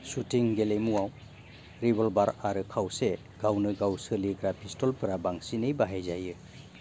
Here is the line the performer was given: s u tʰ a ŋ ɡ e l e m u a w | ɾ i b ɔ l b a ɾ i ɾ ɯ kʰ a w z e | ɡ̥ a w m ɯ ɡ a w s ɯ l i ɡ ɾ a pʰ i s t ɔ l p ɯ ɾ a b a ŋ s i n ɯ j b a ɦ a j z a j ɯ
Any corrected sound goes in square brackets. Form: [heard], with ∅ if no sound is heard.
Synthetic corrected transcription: s u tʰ [i] ŋ ɡ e l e m u a w | ɾ i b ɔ l b a ɾ [a] ɾ ɯ kʰ a w [s] e | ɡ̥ a w [n] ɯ ɡ a w s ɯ l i ɡ ɾ a pʰ i s t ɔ l p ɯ ɾ a b a ŋ s i n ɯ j b a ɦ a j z a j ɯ